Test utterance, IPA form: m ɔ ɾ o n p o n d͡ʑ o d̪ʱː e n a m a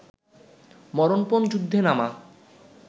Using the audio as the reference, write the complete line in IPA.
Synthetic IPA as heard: m ɔ ɾ o n p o n d͡ʑ u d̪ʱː e n a m a

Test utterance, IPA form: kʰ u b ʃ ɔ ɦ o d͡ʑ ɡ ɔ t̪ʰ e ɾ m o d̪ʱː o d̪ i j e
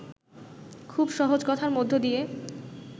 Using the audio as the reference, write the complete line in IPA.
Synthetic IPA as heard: kʰ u b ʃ ɔ ɦ o d͡ʑ k ɔ t̪ʰ a ɾ m o d̪ʱː o d̪ i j e

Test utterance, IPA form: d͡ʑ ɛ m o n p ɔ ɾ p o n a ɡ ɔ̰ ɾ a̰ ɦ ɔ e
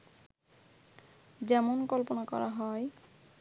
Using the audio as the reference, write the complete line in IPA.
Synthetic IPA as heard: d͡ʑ ɛ m o n k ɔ l p o n a k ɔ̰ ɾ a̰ ɦ ɔ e

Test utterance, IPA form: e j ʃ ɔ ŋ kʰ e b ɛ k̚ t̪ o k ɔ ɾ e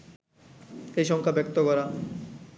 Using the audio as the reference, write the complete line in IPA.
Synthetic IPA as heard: e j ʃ ɔ ŋ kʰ a b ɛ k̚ t̪ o k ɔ ɾ a

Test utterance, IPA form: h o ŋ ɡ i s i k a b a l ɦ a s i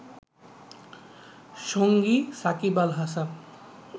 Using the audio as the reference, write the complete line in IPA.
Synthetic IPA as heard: ʃ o ŋ ɡ i s a k i b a l ɦ a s a

